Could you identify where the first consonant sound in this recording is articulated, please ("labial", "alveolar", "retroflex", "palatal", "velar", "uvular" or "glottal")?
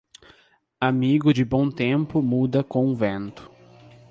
labial